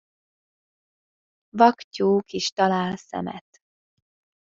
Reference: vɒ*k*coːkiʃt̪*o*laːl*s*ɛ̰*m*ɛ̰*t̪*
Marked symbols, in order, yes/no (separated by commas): yes, no, yes, yes, yes